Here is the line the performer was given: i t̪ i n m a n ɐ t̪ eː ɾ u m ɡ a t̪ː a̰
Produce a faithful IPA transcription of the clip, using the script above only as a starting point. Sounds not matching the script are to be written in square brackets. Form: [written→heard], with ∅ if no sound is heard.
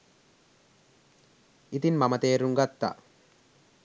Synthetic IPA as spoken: i t̪ i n m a [n→m] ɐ t̪ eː ɾ u [m→ŋ] ɡ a t̪ː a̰